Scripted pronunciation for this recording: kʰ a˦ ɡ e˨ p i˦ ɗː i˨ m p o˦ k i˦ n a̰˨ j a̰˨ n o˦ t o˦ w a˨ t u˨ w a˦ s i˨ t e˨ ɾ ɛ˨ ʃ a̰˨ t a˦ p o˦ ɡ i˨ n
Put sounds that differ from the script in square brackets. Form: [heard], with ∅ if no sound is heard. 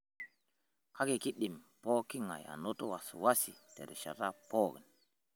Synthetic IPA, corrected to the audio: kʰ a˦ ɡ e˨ [k] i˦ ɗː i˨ m p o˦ k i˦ [ŋ] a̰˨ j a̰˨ n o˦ t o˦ w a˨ [s] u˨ w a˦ s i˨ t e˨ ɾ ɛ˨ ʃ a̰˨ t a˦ p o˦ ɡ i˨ n